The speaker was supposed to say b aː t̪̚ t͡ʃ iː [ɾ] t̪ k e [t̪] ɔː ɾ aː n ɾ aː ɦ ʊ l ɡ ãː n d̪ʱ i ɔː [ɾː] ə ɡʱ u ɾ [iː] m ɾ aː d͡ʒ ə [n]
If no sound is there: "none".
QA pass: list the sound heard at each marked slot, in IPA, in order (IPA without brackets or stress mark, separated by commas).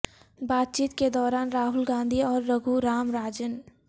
none, d̪, ɾː, aː, n